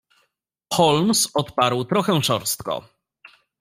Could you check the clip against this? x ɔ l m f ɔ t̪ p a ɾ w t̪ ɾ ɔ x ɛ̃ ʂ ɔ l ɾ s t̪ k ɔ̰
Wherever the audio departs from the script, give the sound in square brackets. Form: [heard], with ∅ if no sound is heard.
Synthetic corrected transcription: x ɔ l m [s] ɔ t̪ p a ɾ w t̪ ɾ ɔ x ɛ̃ ʂ ɔ [∅] ɾ s t̪ k ɔ̰